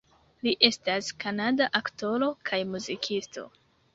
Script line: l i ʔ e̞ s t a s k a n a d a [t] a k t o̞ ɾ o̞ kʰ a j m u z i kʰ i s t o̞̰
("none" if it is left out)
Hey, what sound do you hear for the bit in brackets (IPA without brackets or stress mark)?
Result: ʔ